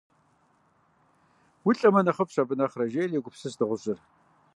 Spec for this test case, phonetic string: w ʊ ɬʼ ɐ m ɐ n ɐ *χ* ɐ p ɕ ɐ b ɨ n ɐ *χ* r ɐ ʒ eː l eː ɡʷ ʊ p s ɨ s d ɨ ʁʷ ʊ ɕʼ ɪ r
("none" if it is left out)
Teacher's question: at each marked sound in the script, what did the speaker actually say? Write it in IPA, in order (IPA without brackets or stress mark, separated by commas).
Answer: χ, χ